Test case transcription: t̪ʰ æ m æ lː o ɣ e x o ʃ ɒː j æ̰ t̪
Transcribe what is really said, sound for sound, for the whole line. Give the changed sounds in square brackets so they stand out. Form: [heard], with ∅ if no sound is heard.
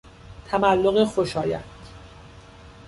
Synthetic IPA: t̪ʰ æ m æ lː o ɣ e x o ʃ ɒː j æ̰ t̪